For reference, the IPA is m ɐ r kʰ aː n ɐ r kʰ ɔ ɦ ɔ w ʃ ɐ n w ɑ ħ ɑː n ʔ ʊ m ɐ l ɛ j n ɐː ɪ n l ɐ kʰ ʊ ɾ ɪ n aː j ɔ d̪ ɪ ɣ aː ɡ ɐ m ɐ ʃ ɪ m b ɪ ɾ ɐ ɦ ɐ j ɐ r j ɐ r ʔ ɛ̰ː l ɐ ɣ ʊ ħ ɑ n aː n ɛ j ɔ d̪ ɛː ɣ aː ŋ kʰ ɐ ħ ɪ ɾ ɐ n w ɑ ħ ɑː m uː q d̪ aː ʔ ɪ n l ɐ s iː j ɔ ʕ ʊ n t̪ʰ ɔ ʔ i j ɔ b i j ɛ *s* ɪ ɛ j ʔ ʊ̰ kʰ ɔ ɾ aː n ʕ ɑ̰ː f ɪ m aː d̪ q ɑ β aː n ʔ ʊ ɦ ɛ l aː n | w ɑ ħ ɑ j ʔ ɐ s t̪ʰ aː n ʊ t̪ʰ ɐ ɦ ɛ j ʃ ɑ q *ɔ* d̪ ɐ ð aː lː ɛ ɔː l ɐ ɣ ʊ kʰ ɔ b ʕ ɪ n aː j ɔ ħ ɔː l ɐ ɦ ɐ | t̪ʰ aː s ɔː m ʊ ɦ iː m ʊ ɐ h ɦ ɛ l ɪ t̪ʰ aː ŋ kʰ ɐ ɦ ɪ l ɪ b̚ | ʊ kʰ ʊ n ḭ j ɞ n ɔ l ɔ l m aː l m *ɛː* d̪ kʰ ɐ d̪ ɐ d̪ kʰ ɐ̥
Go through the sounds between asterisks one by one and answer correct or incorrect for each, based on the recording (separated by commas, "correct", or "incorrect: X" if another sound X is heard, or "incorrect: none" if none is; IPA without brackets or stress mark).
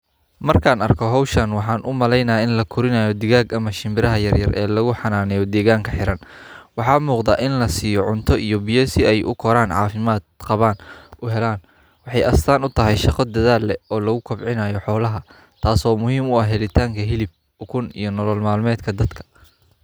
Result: correct, correct, correct